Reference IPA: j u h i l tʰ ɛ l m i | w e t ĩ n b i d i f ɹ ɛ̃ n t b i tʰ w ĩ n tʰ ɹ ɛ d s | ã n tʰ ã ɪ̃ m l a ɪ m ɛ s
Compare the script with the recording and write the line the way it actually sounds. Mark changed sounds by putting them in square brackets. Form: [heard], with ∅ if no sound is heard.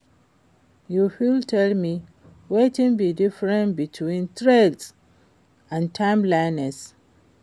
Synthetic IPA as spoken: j u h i l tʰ ɛ l m i | w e t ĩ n b i d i f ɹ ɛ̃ n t b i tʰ w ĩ n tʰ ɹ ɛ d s | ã n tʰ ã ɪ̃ m l a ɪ [n] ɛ s

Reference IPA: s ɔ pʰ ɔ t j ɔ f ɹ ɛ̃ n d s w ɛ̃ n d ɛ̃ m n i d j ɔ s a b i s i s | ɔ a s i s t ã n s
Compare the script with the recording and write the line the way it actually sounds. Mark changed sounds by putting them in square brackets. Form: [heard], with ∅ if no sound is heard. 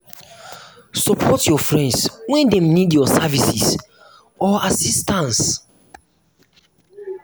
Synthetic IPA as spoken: s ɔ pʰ ɔ t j ɔ f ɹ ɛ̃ n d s w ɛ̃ n d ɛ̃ m n i d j ɔ s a [v] i s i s | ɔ a s i s t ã n s

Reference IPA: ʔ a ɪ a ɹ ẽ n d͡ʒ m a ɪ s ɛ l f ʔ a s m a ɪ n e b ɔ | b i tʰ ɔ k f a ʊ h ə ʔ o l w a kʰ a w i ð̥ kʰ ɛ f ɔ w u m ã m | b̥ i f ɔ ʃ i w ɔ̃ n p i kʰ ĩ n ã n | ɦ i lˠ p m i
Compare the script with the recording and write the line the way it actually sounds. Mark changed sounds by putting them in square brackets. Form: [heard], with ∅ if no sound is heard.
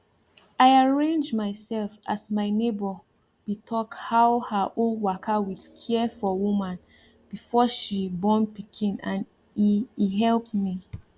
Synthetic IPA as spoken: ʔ a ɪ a ɹ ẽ n d͡ʒ m a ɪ s ɛ l f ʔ a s m a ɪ n e b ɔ | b i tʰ ɔ k [h] a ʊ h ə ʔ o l w a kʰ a w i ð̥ kʰ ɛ f ɔ w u m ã [n] | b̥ i f ɔ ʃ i [b] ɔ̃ n p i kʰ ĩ n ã n | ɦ [ɛ] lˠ p m i

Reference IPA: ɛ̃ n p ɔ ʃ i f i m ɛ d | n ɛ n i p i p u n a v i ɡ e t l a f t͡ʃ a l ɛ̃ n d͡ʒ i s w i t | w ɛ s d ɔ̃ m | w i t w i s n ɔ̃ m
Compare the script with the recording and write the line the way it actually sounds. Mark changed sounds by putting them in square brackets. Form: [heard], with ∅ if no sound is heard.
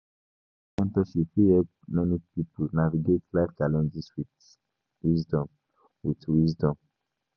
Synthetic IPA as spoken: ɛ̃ n [t] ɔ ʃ i f i [∅] ɛ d | [m] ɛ n i p i p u n a v i ɡ e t l a f t͡ʃ a l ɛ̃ n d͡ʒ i s w i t | w [i] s d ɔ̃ m | w i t w i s [d] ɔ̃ m

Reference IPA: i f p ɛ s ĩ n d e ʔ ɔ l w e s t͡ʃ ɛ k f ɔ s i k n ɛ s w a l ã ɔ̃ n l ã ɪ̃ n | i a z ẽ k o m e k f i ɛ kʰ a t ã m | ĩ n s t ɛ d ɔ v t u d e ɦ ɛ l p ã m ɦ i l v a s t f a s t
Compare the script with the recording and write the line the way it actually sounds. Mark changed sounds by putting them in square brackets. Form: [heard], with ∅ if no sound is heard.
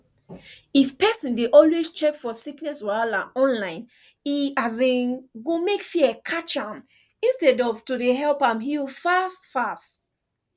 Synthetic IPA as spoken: i f p ɛ s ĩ n d e ʔ ɔ l w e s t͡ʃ ɛ k f ɔ s i k n ɛ s w a l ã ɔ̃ n l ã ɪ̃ n | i a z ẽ [ɡ] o m e k f i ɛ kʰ a [t͡ʃ] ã m | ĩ n s t ɛ d ɔ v t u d e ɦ ɛ l p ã m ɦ i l [f] a s t f a s t

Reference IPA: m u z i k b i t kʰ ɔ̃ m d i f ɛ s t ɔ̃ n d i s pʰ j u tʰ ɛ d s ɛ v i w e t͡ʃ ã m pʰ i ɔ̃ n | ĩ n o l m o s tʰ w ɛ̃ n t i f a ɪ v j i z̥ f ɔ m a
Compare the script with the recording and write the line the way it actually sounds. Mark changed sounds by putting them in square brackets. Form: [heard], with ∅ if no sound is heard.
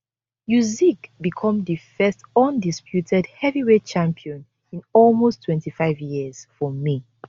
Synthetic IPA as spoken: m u z i k b i [∅] kʰ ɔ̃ m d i f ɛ s t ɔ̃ n d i s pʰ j u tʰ ɛ d [h] ɛ v i w e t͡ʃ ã m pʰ i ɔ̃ n | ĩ n [ɔ] l m o s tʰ w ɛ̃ n t i f a ɪ v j i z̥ f ɔ m [i]

